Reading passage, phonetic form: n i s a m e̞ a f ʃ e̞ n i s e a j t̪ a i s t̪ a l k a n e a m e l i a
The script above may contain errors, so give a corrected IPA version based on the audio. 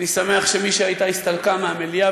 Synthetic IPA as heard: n i s a m e̞ a χ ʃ e̞ m i ʃ e a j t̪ a i s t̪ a l k a m e a m e l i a